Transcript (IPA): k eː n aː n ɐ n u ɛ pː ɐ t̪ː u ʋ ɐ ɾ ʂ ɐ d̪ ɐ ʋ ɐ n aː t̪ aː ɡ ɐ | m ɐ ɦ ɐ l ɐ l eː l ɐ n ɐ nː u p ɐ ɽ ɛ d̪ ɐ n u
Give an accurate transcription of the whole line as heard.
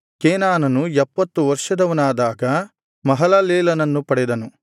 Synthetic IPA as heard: k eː n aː n ɐ n u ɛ pː ɐ t̪ː u ʋ ɐ ɾ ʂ ɐ d̪ ɐ ʋ ɐ n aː d̪ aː ɡ ɐ | m ɐ ɦ ɐ l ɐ l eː l ɐ n ɐ nː u p ɐ ɽ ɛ d̪ ɐ n u